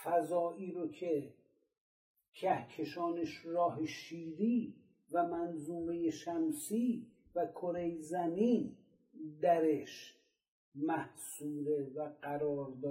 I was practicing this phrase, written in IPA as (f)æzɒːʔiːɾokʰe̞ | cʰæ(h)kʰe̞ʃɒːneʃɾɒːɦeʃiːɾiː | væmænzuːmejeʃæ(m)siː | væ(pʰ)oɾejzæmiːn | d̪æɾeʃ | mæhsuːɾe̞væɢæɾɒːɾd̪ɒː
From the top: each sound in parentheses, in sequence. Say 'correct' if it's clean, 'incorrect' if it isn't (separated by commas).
correct, correct, correct, incorrect